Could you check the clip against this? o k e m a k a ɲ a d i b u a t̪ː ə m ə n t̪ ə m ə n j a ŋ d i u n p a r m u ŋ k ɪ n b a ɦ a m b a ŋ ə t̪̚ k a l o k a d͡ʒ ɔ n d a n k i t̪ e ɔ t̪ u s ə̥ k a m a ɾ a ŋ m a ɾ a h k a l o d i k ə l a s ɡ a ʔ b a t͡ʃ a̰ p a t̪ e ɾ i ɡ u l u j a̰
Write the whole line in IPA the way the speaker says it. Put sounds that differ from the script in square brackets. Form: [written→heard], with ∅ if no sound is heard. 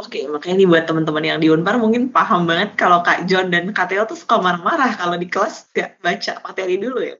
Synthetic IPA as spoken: o k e m a k a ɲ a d i b u a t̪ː ə m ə n t̪ ə m ə n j a ŋ d i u n p a r m u ŋ k ɪ n [b→p] a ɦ a m b a ŋ ə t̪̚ k a l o k a d͡ʒ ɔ n d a n k [i→a] t̪ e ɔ t̪ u s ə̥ k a m a ɾ a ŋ m a ɾ a h k a l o d i k ə l a s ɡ a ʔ b a t͡ʃ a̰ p a t̪ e ɾ i [ɡ→d] u l u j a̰